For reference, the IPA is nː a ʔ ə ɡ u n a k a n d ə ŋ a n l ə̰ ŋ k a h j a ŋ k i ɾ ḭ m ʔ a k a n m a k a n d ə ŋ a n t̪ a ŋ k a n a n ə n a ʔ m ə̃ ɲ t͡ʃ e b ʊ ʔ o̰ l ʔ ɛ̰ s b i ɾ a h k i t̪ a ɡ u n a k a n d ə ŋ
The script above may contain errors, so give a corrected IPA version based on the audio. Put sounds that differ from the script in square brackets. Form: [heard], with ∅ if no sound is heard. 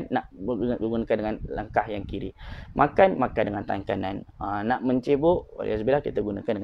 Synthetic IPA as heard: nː a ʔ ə ɡ u n a k a n d ə ŋ a n l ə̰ ŋ k a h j a ŋ k i ɾ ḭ m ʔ a k a n m a k a n d ə ŋ a n t̪ a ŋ k a n a n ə n a ʔ m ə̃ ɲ t͡ʃ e b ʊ ʔ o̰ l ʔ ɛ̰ s b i [l] a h k i t̪ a ɡ u n a k a n d ə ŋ